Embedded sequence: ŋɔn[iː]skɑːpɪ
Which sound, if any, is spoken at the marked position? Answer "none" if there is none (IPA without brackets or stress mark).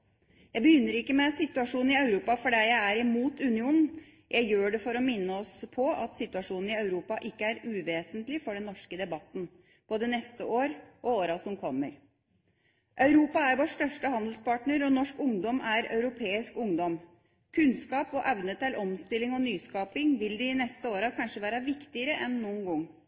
yː